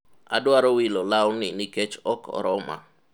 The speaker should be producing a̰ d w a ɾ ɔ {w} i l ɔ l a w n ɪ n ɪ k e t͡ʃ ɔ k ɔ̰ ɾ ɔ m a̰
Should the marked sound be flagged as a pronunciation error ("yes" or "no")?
no